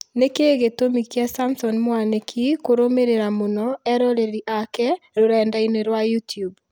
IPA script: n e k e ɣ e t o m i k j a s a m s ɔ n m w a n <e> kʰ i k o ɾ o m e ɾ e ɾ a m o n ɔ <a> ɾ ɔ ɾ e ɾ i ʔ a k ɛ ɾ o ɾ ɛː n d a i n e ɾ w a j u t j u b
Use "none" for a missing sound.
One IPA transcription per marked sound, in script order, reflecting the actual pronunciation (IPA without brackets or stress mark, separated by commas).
e, ɛ